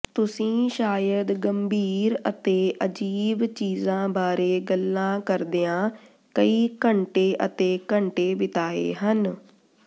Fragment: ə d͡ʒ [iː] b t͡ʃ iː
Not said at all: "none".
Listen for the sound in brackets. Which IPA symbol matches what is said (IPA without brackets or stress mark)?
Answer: iː